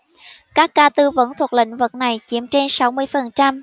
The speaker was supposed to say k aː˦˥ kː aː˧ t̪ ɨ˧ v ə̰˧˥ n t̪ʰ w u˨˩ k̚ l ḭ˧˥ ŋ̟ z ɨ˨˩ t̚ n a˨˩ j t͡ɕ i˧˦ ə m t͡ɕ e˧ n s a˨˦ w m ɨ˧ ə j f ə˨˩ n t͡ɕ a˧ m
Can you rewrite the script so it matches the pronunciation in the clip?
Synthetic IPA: k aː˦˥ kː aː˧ t̪ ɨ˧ v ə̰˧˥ n t̪ʰ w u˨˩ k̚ l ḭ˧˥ ŋ̟ v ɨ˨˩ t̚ n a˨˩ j t͡ɕ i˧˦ ə m t͡ɕ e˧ n s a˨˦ w m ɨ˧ ə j f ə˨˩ n t͡ɕ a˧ m

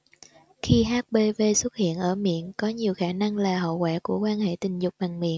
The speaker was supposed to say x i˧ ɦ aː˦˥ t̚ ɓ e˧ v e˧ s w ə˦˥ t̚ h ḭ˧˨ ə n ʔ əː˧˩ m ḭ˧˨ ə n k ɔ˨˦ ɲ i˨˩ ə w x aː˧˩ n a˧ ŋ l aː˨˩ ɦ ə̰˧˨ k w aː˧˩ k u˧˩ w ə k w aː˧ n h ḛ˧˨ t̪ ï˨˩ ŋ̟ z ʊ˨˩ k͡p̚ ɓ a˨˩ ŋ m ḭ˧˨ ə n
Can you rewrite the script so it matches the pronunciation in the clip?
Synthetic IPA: x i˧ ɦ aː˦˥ t̚ ɓ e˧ v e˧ s w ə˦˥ t̚ h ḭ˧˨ ə n ʔ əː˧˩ m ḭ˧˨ ə n k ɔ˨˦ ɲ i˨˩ ə w x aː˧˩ n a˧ ŋ l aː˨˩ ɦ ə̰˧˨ k w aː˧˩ k u˧˩ ə k w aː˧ n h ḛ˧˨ t̪ ï˨˩ ŋ̟ z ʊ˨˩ k͡p̚ ɓ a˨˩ ŋ m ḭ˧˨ ə n

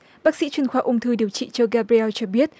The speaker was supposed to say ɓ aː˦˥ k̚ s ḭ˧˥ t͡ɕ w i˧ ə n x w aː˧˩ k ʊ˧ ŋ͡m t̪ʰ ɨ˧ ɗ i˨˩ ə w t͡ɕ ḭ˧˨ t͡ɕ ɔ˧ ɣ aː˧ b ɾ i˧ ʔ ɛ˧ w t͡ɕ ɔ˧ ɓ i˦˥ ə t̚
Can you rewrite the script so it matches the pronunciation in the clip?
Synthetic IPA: ɓ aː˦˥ k̚ s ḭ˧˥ t͡ɕ w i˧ ə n x w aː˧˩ ʔ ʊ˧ ŋ͡m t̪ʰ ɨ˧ ɗ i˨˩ ə w t͡ɕ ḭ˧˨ t͡ɕ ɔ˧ ɣ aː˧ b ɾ i˧ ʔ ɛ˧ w t͡ɕ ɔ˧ ɓ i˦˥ ə t̚

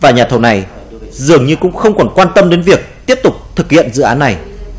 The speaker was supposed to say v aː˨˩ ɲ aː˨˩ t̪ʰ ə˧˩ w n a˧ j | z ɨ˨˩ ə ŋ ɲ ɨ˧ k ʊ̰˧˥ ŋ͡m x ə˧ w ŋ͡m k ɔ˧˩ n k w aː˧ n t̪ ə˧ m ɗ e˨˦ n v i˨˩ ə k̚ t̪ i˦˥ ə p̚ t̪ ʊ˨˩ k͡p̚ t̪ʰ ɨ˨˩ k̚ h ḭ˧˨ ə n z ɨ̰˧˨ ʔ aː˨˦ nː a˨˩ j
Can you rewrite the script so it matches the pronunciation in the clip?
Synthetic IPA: v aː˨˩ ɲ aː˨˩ t̪ʰ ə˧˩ w n a˨˩ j | z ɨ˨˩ ə ŋ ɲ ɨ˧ k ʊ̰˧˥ ŋ͡m x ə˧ w ŋ͡m k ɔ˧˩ n k w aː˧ n t̪ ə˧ m ɗ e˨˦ n v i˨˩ ə k̚ t̪ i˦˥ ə p̚ t̪ ʊ˨˩ k͡p̚ t̪ʰ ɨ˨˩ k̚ h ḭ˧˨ ə n z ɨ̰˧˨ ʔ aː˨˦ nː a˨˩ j

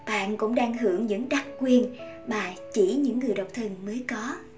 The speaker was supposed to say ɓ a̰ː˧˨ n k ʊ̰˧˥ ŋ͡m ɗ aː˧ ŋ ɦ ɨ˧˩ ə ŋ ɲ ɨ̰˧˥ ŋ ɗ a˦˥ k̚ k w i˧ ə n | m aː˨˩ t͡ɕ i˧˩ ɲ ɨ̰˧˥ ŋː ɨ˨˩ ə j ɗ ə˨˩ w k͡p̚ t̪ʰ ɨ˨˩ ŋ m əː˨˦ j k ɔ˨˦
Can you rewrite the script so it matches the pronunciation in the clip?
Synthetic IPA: ɓ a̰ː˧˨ n k ʊ̰˧˥ ŋ͡m ɗ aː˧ ŋ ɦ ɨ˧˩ ə ŋ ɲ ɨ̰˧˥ ŋ ɗ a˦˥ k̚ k w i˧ ə n | m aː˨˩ t͡ɕ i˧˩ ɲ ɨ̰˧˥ ŋː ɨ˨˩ ə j ɗ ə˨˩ w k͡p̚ t̪ʰ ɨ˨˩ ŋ m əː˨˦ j k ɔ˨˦

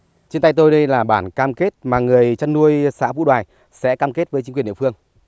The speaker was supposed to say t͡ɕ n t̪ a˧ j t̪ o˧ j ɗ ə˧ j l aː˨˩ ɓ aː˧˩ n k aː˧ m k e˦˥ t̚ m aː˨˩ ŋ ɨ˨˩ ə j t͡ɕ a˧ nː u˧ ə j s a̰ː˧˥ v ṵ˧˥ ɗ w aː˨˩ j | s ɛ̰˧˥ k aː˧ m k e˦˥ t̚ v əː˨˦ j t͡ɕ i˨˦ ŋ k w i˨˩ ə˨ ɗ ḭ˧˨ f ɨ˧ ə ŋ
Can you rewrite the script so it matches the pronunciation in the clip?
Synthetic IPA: t͡ɕ n t̪ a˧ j t̪ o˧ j ɗ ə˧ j l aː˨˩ ɓ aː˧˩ n k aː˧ m k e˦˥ t̚ m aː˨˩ ŋ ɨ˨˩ ə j t͡ɕ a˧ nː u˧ ə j s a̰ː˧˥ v ṵ˧˥ ɗ w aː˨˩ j | s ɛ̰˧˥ k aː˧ m k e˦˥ t̚ v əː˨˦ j t͡ɕ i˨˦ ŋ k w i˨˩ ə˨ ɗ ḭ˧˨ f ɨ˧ ə ŋ

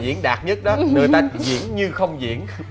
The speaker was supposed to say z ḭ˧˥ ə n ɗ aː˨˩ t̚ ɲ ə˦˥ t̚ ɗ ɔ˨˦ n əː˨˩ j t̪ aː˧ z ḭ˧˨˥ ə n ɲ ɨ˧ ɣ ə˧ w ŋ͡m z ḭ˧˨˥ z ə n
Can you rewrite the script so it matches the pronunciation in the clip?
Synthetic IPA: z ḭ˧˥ ə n ɗ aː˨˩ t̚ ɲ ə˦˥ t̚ ɗ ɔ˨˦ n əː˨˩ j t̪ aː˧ z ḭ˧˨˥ ə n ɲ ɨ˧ x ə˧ w ŋ͡m z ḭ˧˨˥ ə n

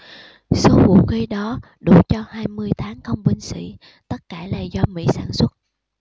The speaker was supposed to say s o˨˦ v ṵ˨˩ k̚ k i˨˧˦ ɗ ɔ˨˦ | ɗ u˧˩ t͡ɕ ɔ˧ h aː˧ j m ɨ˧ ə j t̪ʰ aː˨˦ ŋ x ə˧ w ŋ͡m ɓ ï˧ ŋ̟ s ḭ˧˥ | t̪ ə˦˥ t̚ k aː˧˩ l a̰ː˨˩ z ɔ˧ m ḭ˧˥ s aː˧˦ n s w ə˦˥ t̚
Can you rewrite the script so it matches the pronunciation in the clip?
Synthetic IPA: s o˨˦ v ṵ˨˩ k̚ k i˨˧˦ ɗ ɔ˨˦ | ɗ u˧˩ t͡ɕ ɔ˧ h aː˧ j m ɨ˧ ə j t̪ʰ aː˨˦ ŋ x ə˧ w ŋ͡m ɓ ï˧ ŋ̟ s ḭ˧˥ | t̪ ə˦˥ t̚ k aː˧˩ l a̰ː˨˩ z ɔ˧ m ḭ˧˥ s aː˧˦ n s w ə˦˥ t̚

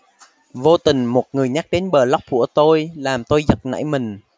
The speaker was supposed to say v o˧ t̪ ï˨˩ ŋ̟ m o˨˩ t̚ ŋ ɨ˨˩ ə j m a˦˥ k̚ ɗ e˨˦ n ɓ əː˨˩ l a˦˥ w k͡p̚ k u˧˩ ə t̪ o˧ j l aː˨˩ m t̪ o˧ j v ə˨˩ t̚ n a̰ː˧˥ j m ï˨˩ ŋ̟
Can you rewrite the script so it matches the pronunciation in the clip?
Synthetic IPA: v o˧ t̪ ï˨˩ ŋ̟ m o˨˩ t̚ ŋ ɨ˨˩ ə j ɲ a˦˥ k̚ ɗ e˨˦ n ɓ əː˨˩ l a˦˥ w k͡p̚ k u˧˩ ə t̪ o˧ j l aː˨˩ m t̪ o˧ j z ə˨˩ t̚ n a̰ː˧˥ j m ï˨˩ ŋ̟

